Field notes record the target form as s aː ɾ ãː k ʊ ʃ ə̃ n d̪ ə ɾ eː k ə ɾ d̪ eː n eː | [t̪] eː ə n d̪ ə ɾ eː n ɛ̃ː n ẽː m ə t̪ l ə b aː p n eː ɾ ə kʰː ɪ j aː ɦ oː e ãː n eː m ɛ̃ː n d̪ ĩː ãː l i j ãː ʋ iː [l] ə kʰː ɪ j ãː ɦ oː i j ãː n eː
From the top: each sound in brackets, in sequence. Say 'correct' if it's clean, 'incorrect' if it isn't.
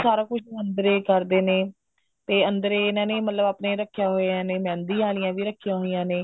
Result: correct, incorrect: ɾ

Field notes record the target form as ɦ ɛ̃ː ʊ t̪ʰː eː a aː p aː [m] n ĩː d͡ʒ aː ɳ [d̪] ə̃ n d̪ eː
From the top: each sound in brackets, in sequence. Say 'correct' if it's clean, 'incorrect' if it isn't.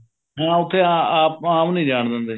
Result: correct, correct

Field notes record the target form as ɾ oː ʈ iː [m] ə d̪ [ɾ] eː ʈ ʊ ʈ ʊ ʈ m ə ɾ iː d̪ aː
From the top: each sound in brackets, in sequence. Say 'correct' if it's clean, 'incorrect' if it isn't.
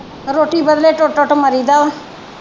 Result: incorrect: b, incorrect: l

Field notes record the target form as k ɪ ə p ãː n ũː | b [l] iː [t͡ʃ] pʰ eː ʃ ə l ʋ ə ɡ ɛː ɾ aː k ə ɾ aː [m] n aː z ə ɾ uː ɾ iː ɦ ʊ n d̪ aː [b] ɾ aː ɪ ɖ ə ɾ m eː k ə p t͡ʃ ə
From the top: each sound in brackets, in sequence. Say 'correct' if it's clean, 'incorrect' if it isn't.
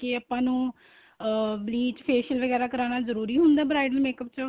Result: correct, correct, incorrect: none, correct

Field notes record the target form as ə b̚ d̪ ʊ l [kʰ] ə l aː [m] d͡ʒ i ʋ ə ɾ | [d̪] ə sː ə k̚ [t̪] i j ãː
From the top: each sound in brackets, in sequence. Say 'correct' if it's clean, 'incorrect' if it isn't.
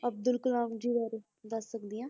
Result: incorrect: k, correct, correct, incorrect: d̪

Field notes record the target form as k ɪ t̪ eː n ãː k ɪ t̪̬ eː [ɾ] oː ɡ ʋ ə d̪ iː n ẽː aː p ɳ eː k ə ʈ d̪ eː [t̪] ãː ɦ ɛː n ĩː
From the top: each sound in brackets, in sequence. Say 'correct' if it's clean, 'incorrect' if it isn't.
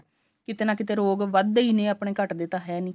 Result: correct, correct

